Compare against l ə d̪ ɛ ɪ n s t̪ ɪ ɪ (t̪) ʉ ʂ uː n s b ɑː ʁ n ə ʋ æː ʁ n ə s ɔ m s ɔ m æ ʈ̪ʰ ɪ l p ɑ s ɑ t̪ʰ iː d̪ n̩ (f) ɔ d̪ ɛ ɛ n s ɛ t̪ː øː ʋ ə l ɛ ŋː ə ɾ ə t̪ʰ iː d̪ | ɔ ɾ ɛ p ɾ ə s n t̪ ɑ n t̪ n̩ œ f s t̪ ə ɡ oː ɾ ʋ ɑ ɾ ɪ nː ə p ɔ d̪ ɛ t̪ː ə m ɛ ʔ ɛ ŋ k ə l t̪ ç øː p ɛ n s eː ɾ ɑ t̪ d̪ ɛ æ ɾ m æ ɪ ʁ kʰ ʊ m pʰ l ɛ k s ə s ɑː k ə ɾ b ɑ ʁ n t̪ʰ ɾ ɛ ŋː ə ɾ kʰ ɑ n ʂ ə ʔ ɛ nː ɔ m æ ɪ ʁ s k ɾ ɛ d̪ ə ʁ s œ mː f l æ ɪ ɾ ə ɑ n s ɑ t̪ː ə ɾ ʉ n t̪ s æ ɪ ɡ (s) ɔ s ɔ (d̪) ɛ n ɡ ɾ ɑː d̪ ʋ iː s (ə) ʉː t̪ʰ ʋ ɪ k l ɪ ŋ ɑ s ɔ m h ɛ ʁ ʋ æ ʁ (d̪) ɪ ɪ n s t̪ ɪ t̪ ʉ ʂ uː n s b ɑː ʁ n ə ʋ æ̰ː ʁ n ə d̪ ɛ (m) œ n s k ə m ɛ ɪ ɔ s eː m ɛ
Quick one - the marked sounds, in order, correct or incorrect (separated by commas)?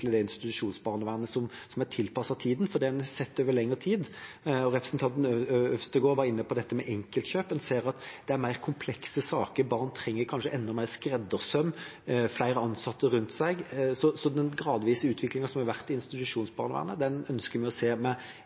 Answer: correct, correct, correct, correct, correct, incorrect, incorrect